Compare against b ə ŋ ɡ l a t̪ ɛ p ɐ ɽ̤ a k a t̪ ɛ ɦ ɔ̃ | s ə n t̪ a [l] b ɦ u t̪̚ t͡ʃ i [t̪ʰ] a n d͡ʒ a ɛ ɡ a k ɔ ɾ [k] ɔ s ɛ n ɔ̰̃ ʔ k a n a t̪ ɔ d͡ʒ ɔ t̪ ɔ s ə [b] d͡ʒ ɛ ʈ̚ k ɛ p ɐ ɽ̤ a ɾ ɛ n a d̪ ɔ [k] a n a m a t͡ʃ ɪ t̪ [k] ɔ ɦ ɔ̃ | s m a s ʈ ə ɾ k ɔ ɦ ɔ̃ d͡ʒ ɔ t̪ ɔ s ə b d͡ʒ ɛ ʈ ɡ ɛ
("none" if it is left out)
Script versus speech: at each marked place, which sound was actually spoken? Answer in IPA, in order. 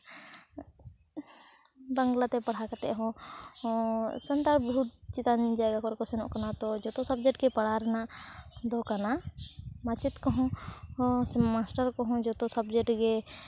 ɾ, t̪, k, b, k, k

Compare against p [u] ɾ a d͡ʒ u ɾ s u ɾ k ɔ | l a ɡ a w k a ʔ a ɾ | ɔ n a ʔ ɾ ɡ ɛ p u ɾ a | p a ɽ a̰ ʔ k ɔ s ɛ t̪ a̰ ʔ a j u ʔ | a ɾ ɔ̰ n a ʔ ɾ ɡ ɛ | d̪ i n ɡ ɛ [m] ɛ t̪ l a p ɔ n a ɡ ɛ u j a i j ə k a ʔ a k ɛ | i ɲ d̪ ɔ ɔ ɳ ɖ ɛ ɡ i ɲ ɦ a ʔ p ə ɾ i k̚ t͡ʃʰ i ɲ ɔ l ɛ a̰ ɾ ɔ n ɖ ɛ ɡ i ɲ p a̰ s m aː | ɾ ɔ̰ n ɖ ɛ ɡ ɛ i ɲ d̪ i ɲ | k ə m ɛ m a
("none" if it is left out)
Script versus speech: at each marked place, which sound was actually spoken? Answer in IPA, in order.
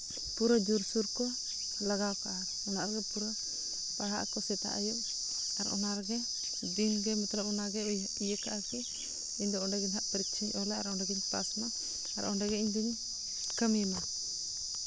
u, m

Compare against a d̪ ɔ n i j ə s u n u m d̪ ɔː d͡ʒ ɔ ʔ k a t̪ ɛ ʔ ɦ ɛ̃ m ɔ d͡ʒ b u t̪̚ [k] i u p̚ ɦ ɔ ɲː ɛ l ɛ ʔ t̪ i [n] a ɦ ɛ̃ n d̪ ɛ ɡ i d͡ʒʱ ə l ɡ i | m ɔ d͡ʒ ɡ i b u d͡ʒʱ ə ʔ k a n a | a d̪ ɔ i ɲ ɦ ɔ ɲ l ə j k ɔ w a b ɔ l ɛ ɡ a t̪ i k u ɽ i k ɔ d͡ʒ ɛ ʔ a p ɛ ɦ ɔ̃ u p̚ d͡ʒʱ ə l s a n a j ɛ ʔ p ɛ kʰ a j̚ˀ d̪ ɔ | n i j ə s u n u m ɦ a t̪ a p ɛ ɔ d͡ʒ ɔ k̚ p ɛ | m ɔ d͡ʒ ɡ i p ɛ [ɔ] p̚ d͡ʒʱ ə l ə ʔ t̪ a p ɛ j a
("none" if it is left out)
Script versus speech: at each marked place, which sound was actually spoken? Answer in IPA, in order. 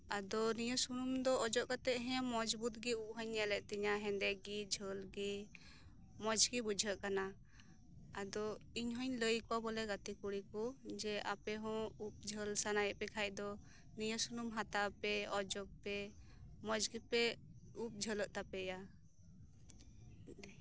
ɡ, ɲ, u

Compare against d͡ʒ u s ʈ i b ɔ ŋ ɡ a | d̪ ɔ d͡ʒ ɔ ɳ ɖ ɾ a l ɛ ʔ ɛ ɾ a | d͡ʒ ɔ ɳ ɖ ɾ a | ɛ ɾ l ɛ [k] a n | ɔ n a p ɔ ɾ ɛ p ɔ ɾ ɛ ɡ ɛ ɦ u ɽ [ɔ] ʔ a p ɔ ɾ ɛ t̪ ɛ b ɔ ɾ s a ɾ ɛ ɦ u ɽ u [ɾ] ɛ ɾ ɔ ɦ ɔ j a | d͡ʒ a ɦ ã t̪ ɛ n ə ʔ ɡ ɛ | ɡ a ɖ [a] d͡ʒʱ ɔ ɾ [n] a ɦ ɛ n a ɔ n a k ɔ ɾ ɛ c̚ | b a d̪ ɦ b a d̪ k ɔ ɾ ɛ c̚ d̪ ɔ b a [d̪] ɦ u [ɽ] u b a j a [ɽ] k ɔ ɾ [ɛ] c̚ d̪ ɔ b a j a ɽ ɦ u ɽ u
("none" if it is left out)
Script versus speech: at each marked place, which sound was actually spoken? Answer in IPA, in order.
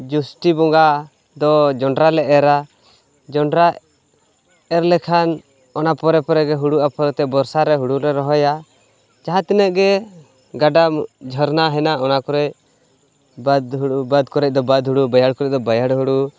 kʰ, u, ɾ, a, n, d̪, ɽ, ɽ, ɛ

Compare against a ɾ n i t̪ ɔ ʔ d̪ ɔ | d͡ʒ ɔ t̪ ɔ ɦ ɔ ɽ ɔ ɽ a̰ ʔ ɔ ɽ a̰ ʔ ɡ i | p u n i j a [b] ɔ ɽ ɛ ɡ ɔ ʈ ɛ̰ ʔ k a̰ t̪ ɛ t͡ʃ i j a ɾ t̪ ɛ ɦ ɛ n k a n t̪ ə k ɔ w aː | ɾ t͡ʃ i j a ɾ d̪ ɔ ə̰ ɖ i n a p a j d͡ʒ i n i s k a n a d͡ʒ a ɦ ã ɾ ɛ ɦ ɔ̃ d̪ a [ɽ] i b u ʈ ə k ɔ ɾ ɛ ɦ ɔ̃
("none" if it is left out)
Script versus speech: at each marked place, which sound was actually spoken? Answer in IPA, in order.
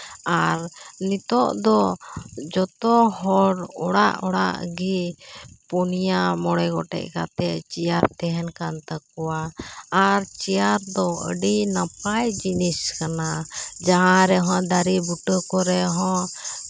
m, ɾ

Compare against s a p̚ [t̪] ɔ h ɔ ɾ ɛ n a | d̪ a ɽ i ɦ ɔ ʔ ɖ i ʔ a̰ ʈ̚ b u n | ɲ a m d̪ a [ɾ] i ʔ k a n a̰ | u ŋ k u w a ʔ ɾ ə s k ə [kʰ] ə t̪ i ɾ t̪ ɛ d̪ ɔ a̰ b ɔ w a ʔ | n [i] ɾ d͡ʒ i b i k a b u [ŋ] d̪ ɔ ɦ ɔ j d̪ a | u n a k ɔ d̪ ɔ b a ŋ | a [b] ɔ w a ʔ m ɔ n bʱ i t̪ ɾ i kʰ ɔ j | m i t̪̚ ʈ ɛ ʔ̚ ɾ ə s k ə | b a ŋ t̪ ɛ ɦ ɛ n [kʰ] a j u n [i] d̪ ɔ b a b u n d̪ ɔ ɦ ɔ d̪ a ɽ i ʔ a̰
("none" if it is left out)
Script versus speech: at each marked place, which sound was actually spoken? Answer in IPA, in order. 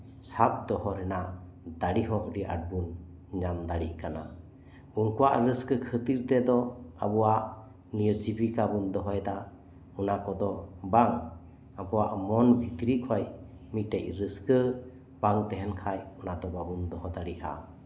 d̪, ɽ, kʰ, i, n, b, kʰ, a

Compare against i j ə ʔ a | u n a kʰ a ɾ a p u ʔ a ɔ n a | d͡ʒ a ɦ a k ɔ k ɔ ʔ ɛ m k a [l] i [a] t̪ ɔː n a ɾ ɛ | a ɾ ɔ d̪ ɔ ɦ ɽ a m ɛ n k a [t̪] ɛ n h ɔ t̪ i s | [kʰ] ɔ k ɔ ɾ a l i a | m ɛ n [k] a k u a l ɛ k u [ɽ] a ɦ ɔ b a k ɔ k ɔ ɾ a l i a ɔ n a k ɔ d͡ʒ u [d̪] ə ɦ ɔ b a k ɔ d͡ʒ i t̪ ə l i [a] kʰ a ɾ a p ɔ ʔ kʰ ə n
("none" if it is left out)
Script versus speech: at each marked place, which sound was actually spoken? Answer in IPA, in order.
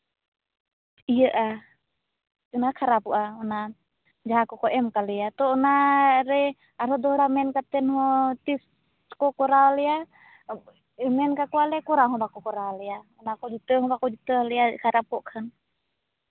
l, a, t̪, k, k, ɾ, t̪, a

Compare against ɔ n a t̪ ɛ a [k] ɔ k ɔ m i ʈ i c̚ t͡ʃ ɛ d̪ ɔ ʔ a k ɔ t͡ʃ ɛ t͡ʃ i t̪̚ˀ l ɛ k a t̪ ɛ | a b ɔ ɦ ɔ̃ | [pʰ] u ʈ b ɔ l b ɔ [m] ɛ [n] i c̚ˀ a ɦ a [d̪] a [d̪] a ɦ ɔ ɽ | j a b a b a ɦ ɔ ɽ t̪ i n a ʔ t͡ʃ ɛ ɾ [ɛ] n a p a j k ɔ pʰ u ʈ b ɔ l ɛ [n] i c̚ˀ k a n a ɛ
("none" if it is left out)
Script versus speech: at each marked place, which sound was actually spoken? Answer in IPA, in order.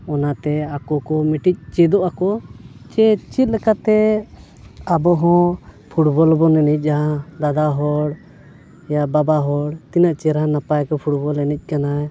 k, pʰ, n, n, d̪, d̪, a, n

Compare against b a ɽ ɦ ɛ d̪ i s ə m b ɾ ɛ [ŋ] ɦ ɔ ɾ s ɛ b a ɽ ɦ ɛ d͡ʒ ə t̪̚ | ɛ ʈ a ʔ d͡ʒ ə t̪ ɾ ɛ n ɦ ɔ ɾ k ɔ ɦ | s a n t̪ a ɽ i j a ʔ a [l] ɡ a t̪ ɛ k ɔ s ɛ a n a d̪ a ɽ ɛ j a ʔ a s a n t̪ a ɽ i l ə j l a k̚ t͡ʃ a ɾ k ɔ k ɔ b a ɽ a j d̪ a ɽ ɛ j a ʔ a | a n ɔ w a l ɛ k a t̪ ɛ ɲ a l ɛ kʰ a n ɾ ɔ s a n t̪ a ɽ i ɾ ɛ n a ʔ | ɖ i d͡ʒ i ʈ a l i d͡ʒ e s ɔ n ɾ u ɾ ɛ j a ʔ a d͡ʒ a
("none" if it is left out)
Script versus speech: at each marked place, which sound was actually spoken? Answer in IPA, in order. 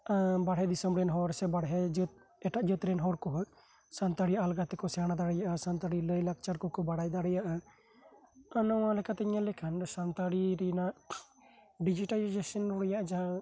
n, l

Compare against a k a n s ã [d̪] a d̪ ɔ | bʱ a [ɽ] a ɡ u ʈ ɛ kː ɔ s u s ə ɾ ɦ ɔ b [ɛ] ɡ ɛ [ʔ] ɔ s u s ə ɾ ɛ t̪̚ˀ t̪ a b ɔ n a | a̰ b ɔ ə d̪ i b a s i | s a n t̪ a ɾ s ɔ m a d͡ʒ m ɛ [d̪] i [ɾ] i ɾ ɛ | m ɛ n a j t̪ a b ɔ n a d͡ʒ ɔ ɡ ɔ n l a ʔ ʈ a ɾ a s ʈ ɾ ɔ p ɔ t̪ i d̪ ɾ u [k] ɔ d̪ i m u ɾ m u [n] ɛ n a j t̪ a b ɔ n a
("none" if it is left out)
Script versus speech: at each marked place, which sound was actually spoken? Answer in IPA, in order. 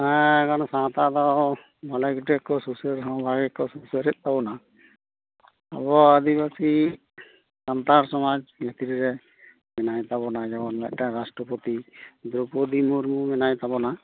t̪, l, a, k, t̪, ɾ, p, m

